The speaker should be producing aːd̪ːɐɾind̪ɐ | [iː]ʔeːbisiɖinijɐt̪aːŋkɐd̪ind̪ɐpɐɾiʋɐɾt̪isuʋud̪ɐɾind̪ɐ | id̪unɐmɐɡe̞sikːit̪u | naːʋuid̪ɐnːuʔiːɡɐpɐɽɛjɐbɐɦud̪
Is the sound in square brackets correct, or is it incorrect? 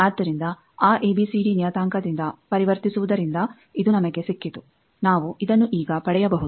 incorrect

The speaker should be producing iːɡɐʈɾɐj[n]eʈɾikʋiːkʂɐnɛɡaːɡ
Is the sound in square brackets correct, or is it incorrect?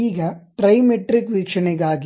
incorrect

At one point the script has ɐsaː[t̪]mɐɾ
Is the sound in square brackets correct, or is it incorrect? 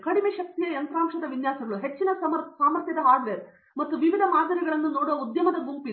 incorrect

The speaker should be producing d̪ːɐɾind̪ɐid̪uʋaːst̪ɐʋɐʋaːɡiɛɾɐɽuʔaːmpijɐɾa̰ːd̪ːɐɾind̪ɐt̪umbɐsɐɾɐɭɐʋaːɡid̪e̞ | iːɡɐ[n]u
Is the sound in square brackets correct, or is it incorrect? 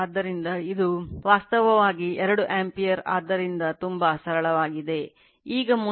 incorrect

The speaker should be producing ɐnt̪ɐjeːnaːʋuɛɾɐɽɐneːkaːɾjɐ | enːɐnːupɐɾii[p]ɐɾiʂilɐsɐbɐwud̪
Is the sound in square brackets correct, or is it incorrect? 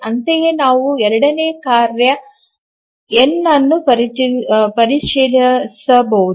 correct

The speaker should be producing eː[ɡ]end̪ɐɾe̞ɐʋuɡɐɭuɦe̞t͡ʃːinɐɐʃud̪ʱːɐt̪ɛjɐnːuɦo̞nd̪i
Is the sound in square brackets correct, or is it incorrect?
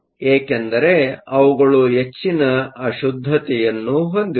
incorrect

